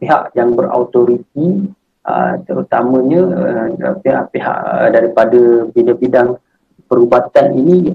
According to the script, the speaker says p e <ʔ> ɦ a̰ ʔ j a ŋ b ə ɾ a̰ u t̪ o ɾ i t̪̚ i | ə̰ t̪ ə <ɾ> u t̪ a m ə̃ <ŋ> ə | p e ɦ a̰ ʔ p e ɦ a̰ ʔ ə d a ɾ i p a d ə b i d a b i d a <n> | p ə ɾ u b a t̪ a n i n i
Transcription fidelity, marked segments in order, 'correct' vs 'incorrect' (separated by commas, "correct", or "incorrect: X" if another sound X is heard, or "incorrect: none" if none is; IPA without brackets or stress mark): incorrect: none, correct, incorrect: ɲ, incorrect: ŋ